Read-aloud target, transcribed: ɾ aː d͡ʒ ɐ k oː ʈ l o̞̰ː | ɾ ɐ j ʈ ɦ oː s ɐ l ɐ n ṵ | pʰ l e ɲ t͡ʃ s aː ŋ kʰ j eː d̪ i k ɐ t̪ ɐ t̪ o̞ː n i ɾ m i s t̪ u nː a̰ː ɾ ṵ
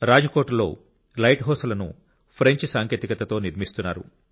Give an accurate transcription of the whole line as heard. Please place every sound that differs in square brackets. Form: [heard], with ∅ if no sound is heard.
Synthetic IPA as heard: ɾ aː d͡ʒ ɐ k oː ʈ l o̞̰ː | [l] ɐ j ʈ ɦ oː s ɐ l ɐ n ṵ | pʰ [ɾ] e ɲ t͡ʃ s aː ŋ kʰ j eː [t̪] i k ɐ t̪ ɐ t̪ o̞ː n i ɾ m i s t̪ u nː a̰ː ɾ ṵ

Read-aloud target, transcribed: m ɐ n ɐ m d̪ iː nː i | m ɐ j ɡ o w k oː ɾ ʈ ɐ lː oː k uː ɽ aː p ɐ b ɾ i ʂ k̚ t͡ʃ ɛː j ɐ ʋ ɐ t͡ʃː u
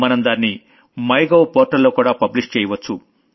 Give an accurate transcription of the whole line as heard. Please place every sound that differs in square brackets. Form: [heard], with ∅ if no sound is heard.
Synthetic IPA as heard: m ɐ n ɐ m d̪ [aː] nː i | m ɐ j ɡ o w [p] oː ɾ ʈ ɐ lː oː k uː ɽ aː p ɐ b [l] i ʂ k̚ t͡ʃ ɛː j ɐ ʋ ɐ t͡ʃː u

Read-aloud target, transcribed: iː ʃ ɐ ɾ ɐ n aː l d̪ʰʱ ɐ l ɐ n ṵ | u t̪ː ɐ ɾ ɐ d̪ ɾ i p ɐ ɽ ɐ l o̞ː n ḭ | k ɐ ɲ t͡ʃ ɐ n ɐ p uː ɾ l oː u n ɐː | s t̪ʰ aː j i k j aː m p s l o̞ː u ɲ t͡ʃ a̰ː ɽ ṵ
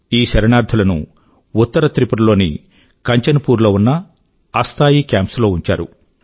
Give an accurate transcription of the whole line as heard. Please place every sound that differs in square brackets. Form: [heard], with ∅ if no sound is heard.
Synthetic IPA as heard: iː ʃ ɐ ɾ ɐ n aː [ɾ] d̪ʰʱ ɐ l ɐ n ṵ | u t̪ː ɐ ɾ ɐ [t̪] ɾ i p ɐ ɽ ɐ l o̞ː n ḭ | k ɐ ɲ t͡ʃ ɐ n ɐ p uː ɾ l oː u [nː] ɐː | s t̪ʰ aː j i k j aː m p s l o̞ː u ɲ t͡ʃ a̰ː [ɾ] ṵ

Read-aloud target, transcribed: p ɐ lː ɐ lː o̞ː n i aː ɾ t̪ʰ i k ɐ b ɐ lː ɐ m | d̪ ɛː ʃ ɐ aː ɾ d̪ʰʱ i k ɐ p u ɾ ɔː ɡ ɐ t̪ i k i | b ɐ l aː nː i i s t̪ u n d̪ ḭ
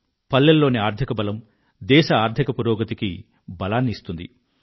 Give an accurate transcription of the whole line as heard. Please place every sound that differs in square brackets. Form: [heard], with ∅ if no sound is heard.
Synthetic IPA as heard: p ɐ lː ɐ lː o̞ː n i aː ɾ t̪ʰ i k ɐ b ɐ [l] ɐ m | d̪ ɛː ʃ ɐ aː ɾ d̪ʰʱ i k ɐ p u ɾ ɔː ɡ ɐ t̪ i k i | b ɐ l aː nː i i s t̪ u n d̪ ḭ

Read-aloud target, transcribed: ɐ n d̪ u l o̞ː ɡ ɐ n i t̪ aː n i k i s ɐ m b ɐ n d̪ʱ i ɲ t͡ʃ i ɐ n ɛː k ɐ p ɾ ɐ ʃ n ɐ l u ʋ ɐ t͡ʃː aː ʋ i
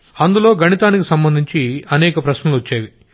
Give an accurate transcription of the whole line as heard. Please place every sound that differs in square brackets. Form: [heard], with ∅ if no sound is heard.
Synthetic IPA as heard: ɐ n d̪ u l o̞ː ɡ ɐ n i t̪ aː n i k i s ɐ m b ɐ n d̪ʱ i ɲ t͡ʃ i ɐ n ɛː k ɐ p ɾ ɐ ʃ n ɐ l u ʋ ɐ t͡ʃː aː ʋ i

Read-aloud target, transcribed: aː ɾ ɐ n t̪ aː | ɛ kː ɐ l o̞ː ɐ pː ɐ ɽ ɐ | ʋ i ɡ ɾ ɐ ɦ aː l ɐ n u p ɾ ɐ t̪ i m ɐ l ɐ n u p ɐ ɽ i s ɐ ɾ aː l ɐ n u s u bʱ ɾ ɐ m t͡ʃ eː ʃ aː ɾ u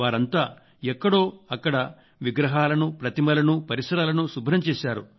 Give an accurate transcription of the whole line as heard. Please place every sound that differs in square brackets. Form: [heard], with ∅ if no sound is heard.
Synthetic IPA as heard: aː ɾ ɐ n t̪ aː | ɛ kː ɐ [ɽ] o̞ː ɐ [kː] ɐ ɽ ɐ | ʋ i ɡ ɾ ɐ ɦ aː l ɐ n u p ɾ ɐ t̪ i m ɐ l ɐ n u p ɐ [ɾ] i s ɐ ɾ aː l ɐ n u s u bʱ ɾ ɐ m t͡ʃ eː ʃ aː ɾ u

